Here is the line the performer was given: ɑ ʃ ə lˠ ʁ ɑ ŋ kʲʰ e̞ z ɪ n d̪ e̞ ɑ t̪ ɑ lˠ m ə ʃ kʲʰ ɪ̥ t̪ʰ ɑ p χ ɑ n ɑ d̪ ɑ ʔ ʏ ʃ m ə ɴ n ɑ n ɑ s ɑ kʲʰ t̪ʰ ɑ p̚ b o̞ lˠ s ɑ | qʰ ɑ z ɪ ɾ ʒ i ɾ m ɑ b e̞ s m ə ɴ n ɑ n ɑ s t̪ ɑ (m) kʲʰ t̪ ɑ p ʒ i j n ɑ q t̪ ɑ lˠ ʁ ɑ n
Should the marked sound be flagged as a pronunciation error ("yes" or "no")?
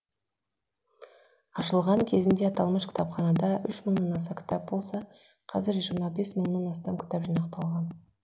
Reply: no